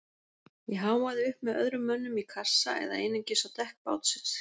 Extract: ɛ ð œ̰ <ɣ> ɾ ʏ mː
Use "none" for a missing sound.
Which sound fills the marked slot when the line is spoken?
ð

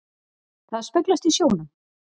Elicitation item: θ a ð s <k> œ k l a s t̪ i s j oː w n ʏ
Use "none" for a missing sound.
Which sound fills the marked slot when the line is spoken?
p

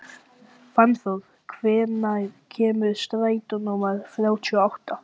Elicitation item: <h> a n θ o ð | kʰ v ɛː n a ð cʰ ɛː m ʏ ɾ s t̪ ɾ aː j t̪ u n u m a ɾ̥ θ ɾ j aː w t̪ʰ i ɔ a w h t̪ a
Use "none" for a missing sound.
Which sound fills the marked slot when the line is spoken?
f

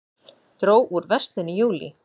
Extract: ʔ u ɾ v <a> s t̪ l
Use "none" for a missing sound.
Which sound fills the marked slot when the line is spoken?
ɛ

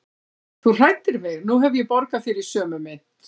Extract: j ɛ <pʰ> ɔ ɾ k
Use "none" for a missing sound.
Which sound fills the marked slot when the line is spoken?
p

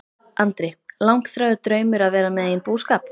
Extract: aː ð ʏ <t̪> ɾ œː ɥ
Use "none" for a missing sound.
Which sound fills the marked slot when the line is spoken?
t̪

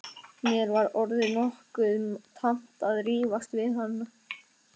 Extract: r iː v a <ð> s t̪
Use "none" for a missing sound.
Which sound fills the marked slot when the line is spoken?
none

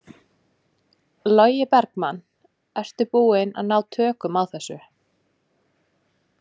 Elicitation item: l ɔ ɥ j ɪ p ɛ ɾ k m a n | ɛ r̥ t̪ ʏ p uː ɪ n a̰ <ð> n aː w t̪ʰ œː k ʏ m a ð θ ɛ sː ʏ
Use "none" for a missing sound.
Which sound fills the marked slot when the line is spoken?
ð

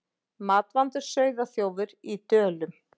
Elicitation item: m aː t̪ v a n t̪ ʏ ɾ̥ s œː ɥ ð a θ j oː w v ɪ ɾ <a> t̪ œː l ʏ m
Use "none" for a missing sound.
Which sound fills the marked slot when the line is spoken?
i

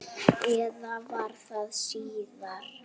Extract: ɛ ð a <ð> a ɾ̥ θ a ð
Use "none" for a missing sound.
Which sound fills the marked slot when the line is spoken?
v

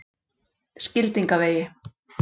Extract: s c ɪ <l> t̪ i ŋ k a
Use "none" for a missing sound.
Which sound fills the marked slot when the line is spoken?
l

